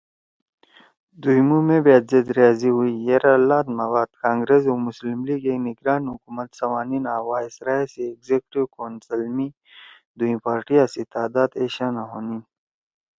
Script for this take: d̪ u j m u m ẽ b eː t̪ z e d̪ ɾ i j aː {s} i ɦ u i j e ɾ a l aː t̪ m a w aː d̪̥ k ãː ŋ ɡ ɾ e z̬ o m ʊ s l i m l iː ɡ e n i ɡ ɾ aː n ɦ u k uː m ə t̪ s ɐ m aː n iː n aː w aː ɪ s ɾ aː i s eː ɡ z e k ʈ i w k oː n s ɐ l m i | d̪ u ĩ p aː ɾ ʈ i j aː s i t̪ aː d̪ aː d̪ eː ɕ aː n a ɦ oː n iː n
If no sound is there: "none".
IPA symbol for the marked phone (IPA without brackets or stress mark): z